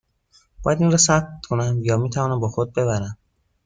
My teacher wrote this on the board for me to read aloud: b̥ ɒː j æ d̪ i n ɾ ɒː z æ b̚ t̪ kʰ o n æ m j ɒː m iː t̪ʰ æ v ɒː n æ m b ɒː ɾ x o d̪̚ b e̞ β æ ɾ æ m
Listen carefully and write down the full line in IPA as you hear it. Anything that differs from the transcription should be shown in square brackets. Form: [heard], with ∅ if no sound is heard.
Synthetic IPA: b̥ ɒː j æ d̪ i n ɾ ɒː [s] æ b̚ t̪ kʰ o n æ m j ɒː m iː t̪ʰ æ v ɒː n æ m b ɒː [∅] x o d̪̚ b e̞ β æ ɾ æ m